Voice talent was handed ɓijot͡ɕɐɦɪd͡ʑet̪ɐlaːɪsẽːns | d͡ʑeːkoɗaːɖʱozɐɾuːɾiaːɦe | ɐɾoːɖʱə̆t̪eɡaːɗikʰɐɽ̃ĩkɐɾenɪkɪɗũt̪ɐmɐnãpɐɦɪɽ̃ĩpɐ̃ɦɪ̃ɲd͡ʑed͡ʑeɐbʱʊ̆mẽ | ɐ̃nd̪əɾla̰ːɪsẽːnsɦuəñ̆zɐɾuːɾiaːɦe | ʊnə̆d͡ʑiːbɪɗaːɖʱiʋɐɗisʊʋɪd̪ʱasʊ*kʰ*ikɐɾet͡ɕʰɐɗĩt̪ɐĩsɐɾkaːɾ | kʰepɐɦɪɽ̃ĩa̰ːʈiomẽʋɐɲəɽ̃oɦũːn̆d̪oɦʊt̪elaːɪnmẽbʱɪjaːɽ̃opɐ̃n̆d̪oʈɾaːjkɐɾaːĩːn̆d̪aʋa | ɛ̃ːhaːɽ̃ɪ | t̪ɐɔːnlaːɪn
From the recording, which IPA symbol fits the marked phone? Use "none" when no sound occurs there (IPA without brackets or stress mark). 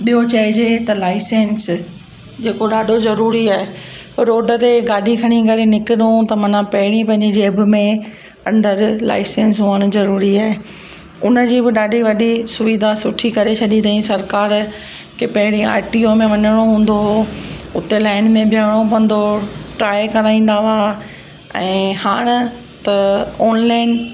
ʈʰ